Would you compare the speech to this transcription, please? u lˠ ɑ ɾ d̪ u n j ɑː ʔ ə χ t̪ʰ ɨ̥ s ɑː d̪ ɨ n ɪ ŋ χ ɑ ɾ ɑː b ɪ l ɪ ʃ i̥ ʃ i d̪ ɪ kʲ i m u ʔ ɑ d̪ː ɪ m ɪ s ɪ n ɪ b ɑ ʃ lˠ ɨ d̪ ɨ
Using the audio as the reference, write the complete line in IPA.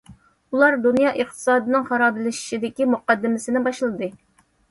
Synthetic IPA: u lˠ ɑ ɾ d̪ u n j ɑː ʔ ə χ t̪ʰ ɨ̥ s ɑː d̪ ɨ n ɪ ŋ χ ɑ ɾ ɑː b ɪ l ɪ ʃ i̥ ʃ i d̪ ɪ kʲ i m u q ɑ d̪ː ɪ m ɪ s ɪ n ɪ b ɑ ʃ lˠ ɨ d̪ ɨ

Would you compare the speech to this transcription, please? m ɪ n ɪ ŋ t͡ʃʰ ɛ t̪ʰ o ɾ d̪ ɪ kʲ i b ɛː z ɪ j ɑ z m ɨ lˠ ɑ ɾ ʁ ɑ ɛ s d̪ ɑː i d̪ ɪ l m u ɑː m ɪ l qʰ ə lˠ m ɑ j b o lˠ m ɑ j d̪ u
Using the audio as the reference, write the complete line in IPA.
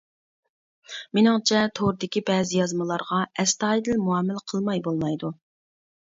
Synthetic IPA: m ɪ n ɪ ŋ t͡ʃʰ ɛ t̪ʰ o ɾ d̪ ɪ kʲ i b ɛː z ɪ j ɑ z m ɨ lˠ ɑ ɾ ʁ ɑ ɛ s t̪ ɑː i d̪ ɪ l m u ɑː m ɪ l qʰ ə lˠ m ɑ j b o lˠ m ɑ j d̪ u

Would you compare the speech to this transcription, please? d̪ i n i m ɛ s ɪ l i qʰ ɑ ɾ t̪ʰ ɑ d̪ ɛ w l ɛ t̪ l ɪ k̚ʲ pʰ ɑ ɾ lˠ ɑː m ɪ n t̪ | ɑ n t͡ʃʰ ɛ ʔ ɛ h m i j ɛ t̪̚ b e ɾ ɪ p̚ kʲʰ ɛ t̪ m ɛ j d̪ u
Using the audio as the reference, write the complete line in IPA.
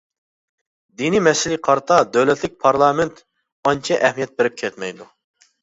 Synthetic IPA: d̪ i n i m ɛ s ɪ l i qʰ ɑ ɾ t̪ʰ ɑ d̪ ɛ w l ɛ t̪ l ɪ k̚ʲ pʰ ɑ ɾ lˠ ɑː m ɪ n t̪ | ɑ n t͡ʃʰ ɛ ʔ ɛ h m i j ɛ t̪̚ b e ɾ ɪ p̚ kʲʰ ɛ t̪ m ɛ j d̪ u

